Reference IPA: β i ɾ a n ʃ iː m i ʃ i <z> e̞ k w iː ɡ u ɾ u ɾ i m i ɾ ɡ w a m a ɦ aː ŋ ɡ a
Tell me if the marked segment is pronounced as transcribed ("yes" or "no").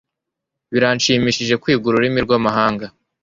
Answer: no